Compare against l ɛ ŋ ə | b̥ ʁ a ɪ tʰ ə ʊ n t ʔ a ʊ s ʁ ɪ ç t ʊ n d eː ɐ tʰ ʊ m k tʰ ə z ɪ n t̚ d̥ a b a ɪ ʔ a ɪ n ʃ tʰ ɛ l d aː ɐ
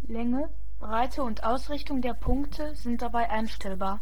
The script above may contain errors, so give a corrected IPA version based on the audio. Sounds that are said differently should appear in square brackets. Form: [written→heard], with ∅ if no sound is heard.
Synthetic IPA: l ɛ ŋ ə | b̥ ʁ a ɪ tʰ ə ʊ n t ʔ a ʊ s ʁ ɪ ç t ʊ [n→ŋ] d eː ɐ [tʰ→pʰ] ʊ [m→ŋ] k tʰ ə z ɪ n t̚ d̥ a b a ɪ ʔ a ɪ n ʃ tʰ ɛ l [d→b] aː ɐ